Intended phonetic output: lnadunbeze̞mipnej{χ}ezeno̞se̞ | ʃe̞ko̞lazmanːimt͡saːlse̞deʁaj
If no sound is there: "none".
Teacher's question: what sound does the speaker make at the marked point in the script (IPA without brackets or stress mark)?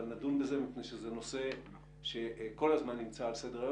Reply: ʃ